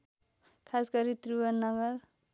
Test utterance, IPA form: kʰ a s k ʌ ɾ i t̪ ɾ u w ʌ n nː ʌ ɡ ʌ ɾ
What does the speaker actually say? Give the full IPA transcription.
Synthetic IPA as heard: kʰ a s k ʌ ɾ i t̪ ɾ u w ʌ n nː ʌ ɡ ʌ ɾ